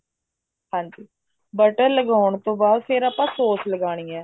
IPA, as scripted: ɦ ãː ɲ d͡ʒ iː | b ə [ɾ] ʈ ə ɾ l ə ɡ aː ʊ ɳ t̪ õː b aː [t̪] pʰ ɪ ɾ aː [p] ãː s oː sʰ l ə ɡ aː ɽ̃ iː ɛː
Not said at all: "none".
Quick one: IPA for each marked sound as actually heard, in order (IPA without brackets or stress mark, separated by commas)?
none, d̪, p